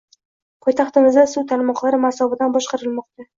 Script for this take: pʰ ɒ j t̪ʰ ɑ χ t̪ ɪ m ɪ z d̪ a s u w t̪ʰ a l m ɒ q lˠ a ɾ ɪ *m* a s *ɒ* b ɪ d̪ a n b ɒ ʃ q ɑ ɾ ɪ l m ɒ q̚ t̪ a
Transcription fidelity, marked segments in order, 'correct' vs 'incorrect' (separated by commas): correct, correct